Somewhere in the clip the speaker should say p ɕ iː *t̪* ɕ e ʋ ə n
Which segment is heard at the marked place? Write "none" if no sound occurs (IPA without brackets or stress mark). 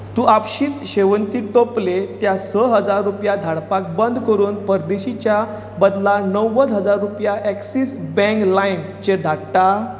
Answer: t̪